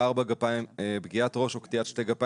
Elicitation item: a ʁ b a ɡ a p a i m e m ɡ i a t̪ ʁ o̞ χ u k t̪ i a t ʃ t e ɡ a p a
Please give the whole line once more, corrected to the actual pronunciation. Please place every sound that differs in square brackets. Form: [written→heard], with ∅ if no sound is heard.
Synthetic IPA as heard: a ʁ b a ɡ a p a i m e [m→b] ɡ i a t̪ ʁ o̞ [χ→ʃ] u k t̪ i a t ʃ t e ɡ a p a